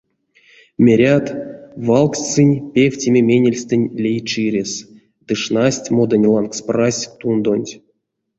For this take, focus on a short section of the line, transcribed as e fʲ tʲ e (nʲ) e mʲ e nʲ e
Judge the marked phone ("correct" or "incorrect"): incorrect